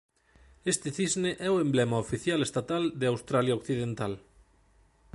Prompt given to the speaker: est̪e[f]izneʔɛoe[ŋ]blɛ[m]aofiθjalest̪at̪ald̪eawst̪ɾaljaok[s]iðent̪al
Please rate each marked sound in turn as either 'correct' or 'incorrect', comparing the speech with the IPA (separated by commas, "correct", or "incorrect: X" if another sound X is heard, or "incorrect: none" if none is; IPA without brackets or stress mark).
incorrect: θ, incorrect: m, correct, incorrect: θ